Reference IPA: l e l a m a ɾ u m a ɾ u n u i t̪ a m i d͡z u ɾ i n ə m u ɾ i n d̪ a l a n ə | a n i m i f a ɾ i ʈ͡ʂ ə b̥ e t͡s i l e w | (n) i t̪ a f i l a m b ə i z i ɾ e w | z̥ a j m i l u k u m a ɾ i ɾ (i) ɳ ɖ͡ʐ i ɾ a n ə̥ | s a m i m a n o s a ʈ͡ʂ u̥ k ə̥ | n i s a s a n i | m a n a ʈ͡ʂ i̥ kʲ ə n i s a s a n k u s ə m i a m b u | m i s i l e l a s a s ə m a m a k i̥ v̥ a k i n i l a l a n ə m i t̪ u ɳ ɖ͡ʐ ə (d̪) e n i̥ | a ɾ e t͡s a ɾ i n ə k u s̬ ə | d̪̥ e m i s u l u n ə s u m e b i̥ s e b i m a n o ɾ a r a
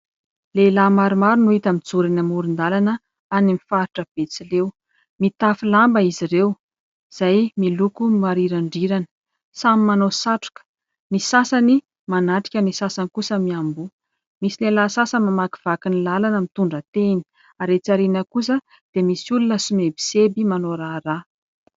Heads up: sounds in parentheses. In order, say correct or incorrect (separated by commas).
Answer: incorrect, incorrect, incorrect